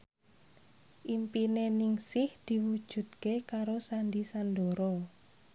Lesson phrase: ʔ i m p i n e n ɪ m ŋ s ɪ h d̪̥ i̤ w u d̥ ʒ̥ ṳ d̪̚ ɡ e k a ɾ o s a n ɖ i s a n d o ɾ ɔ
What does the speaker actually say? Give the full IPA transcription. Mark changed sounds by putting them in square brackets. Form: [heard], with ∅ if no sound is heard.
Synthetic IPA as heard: ʔ i m p i n e n ɪ [∅] ŋ s ɪ h d̪̥ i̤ w u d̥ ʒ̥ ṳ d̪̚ [k] e k a ɾ o s a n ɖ i s a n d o ɾ ɔ